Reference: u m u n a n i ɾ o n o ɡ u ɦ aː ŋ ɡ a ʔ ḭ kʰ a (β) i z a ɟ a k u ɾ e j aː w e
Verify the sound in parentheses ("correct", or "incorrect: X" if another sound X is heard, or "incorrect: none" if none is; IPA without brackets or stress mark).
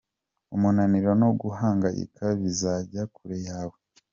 correct